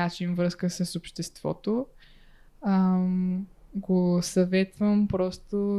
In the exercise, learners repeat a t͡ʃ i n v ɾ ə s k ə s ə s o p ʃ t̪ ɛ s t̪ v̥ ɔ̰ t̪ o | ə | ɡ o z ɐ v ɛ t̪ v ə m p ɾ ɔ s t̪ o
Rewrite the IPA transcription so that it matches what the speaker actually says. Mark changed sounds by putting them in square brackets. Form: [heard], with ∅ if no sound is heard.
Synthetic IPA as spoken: a t͡ʃ i n v ɾ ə s k ə s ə s o p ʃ t̪ ɛ s t̪ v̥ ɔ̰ t̪ o | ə | ɡ o [s] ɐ v ɛ t̪ v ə m p ɾ ɔ s t̪ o